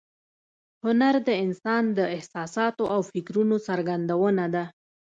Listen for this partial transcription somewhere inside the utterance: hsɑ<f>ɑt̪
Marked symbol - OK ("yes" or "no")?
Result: no